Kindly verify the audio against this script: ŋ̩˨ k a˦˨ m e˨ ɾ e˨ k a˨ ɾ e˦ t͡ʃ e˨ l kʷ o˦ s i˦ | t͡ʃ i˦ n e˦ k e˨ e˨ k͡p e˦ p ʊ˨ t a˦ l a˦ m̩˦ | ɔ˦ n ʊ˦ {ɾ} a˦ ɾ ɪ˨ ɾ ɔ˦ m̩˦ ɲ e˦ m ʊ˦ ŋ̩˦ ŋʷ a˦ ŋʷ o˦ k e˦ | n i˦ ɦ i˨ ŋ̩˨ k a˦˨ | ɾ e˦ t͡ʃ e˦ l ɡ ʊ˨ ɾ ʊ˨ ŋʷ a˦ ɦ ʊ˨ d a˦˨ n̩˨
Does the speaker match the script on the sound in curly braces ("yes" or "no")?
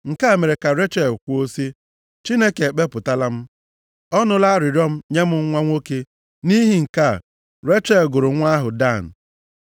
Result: no